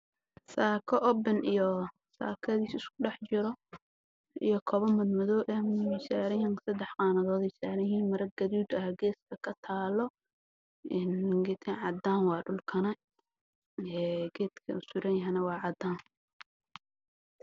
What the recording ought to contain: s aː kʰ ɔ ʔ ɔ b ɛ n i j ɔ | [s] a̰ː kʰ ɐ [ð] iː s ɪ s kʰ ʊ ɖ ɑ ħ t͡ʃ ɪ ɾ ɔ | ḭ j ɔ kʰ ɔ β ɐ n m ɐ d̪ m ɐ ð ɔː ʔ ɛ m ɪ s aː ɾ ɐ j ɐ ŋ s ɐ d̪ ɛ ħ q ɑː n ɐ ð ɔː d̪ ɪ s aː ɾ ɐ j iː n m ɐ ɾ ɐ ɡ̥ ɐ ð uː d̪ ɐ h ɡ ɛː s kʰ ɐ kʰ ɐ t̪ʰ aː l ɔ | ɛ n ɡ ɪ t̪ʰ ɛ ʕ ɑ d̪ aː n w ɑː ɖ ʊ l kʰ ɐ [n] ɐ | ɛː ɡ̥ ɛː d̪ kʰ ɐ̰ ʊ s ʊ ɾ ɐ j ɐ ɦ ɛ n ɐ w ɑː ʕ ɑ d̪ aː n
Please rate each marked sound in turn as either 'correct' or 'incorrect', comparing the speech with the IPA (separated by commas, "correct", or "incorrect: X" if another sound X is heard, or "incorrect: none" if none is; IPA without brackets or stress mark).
correct, correct, correct